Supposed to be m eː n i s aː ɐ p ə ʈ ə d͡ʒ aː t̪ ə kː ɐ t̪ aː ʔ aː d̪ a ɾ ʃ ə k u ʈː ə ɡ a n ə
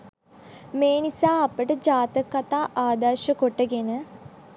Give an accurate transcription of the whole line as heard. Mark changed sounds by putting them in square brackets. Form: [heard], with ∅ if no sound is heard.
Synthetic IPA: m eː n i s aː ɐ p ə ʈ ə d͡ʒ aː t̪ ə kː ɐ t̪ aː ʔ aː d̪ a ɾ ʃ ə k [o] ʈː ə ɡ [e] n ə